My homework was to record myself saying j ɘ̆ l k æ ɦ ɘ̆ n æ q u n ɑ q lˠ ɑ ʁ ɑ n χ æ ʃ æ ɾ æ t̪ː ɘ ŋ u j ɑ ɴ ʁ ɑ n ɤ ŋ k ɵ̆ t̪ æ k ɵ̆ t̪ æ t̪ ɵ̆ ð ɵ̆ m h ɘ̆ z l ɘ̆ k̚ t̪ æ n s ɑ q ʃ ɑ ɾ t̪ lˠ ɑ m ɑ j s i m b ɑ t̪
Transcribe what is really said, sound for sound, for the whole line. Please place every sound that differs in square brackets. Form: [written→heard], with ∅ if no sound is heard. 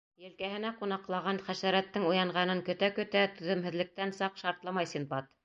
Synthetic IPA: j ɘ̆ l k æ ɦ ɘ̆ n æ q u n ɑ q lˠ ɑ ʁ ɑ n χ æ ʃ æ ɾ æ t̪ː ɘ ŋ u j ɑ ɴ ʁ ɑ n ɤ ŋ k ɵ̆ t̪ æ k ɵ̆ t̪ æ t̪ ɵ̆ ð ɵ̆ m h ɘ̆ [z→ð] l ɘ̆ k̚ t̪ æ n s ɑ q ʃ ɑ ɾ t̪ lˠ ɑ m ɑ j s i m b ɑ t̪